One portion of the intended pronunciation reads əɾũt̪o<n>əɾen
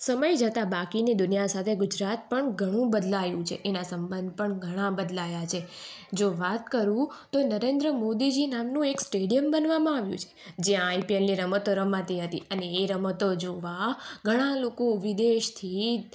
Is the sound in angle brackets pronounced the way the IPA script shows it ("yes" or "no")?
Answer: yes